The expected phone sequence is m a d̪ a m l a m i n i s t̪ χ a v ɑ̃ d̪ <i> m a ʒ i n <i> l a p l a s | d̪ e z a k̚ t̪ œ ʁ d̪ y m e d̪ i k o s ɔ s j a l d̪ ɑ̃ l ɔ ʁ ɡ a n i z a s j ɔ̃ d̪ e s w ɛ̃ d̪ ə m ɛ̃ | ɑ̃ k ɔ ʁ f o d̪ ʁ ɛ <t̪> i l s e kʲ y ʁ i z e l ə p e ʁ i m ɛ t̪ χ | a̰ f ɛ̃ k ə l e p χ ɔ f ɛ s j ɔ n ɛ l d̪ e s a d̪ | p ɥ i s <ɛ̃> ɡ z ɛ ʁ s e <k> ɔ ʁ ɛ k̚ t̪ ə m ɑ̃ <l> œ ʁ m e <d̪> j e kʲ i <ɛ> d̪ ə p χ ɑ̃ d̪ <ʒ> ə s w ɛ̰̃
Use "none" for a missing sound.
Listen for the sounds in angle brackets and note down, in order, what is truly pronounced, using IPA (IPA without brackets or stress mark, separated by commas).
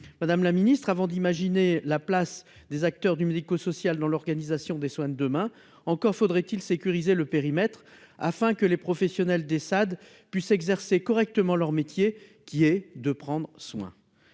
i, e, t̪, ɛ, k, l, t̪, ɛ, ʁ